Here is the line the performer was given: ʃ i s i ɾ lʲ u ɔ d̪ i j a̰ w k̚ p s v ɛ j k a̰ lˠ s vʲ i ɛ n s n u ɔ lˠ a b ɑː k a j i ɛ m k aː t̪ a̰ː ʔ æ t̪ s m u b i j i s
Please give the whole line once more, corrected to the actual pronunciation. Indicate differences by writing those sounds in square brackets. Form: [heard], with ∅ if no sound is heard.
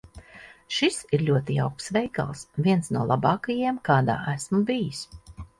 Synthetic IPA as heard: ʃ i s i ɾ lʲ u ɔ [t̪] i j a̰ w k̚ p s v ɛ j k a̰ lˠ s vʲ i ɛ n s n u ɔ lˠ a b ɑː k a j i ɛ m k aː [d̪] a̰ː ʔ æ [∅] s m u b i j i s